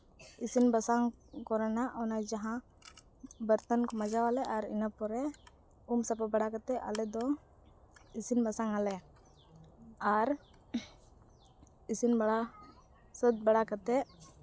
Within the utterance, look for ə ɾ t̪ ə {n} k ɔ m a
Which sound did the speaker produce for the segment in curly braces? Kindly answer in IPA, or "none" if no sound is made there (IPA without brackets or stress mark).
n